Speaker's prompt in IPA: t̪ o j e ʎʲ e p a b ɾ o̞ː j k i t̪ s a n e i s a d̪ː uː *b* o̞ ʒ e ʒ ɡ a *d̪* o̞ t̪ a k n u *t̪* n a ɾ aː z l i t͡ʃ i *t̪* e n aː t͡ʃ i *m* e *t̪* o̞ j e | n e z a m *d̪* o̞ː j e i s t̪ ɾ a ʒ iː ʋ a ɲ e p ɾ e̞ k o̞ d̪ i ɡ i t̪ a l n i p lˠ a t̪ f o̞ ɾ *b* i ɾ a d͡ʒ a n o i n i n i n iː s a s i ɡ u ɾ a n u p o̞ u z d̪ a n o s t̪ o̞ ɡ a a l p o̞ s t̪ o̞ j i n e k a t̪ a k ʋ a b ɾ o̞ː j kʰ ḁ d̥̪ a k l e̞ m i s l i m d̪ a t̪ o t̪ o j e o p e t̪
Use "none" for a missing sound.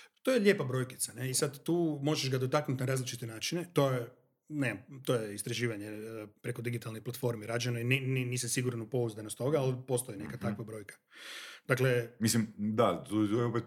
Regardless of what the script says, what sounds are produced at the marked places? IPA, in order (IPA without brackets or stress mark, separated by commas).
m, d̪, t̪, t̪, n, t̪, t̪, m